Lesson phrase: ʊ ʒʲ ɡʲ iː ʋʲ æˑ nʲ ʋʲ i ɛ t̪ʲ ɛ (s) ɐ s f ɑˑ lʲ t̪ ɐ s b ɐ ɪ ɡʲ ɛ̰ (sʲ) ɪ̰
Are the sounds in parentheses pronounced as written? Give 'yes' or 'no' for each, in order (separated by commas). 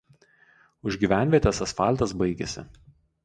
yes, yes